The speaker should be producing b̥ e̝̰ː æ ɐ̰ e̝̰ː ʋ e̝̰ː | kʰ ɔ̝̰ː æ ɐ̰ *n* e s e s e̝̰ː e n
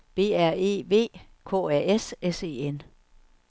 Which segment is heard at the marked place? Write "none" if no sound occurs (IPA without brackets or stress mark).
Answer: none